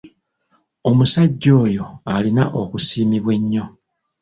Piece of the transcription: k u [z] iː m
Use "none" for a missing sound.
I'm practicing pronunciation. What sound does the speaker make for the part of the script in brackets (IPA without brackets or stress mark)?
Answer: s